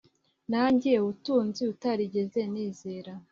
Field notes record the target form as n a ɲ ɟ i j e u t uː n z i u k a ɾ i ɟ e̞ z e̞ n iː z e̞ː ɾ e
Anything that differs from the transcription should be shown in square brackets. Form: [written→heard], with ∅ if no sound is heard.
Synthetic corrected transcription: n a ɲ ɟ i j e u t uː n z i u [k→t] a ɾ i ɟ e̞ z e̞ n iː z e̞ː ɾ [e→a]